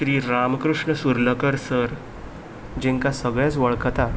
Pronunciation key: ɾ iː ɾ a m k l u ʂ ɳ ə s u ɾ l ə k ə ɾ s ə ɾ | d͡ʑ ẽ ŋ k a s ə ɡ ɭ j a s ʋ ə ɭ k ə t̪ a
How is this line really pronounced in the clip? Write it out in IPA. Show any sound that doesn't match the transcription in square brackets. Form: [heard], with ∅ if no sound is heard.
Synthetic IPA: ɾ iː ɾ a m k [ɾ] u ʂ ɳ ə s u ɾ l ə k ə ɾ s ə ɾ | d͡ʑ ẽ ŋ k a s ə ɡ ɭ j a [t͡s] ʋ ə ɭ k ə t̪ a

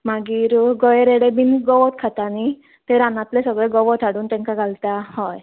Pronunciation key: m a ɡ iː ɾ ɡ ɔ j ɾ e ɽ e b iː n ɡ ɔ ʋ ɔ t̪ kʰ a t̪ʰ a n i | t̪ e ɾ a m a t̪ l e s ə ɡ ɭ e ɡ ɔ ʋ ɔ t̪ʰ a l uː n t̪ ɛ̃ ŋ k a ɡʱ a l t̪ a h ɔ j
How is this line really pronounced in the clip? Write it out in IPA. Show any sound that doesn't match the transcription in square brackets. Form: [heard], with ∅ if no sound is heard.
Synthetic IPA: m a ɡ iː ɾ ɡ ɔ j ɾ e ɽ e b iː n ɡ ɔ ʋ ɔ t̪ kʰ a [t̪] a n i | t̪ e ɾ a [n] a t̪ l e s ə ɡ ɭ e ɡ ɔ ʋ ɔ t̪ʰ a [ɽ] uː n t̪ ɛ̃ ŋ k a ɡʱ a l t̪ a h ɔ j

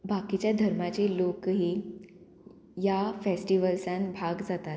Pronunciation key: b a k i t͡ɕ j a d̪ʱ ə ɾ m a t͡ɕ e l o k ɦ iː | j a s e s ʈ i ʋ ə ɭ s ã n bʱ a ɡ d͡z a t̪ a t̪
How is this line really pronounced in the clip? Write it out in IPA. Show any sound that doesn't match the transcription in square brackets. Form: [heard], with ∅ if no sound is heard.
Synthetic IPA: b a k i t͡ɕ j a d̪ʱ ə ɾ m a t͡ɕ e l o k ɦ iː | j a [f] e s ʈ i ʋ ə [l] s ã n bʱ a ɡ d͡z a t̪ a t̪

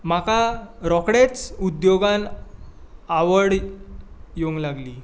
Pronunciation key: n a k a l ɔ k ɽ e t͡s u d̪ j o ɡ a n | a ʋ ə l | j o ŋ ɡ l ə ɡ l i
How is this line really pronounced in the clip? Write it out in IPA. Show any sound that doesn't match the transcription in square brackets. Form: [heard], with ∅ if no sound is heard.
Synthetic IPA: [m] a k a [ɾ] ɔ k ɽ e t͡s u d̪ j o ɡ a n | a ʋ ə [ɽ] | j o ŋ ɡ l [a] ɡ l i

